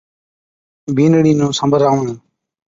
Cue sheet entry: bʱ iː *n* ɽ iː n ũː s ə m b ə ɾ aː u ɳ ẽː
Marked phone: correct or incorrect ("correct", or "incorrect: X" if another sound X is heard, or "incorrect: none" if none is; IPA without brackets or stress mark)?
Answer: correct